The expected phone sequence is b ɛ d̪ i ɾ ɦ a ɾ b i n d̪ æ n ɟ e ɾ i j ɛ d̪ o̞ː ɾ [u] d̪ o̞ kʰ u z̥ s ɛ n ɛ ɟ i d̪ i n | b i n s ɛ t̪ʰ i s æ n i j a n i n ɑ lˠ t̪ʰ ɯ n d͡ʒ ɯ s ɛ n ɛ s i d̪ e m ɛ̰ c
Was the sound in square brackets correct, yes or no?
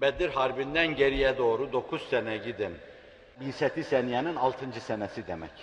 yes